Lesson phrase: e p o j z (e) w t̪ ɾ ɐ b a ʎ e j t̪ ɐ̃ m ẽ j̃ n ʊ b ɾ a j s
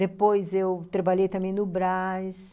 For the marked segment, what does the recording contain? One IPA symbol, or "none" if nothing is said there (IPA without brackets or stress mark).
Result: e